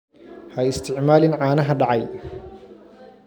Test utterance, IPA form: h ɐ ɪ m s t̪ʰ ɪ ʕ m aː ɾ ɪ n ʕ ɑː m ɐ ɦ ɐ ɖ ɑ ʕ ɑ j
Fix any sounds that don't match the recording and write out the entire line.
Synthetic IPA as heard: h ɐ ɪ s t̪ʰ ɪ ʕ m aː l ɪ n ʕ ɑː n ɐ ɦ ɐ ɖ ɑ ʕ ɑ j